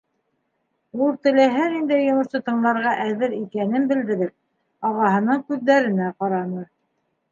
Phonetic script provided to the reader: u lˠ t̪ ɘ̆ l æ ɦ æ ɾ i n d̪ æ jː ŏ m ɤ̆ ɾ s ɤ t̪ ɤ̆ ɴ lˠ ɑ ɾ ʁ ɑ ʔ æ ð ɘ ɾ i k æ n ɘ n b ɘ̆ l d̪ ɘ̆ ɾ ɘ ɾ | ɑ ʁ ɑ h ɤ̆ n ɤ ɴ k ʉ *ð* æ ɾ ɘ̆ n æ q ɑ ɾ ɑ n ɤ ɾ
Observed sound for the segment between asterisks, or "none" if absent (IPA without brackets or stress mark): ðː